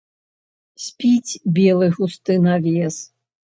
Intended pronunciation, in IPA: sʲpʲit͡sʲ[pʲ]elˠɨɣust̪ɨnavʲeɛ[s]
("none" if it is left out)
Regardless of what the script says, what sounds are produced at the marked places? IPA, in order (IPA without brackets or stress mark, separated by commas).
bʲ, s